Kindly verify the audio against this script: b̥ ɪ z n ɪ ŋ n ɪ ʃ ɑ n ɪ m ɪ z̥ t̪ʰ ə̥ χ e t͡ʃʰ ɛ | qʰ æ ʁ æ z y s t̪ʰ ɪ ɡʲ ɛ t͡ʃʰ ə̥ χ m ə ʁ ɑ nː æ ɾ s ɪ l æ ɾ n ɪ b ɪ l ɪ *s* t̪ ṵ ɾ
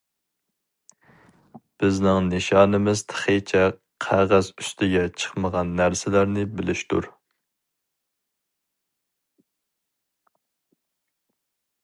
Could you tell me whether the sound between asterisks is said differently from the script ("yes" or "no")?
yes